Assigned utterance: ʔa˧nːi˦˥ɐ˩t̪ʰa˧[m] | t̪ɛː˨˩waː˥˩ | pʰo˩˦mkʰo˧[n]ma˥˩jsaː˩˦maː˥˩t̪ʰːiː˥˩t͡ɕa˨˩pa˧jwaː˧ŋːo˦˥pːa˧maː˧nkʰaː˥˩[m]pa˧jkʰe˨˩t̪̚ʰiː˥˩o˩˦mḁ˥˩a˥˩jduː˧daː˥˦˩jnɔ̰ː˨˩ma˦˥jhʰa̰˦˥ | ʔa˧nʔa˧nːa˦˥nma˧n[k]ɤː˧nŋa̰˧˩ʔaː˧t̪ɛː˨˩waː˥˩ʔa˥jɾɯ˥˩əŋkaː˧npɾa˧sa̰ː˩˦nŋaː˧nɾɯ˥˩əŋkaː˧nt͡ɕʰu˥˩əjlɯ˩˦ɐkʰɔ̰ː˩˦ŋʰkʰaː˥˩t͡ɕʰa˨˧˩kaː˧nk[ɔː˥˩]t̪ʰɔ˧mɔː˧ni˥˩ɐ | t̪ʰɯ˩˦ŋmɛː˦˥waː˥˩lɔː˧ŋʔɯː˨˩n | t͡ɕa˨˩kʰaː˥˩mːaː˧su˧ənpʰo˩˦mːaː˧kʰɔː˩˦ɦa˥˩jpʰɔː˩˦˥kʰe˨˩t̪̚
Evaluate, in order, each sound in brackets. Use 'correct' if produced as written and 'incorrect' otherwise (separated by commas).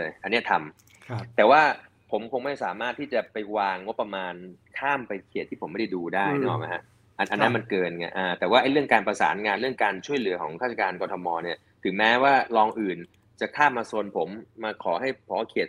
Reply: correct, incorrect, correct, correct, incorrect